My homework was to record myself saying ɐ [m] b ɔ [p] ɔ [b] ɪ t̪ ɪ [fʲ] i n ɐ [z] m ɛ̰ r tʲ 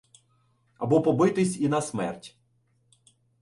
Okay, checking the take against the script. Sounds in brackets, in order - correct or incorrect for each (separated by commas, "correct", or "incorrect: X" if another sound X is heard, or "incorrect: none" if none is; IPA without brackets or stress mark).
incorrect: none, correct, correct, incorrect: sʲ, incorrect: s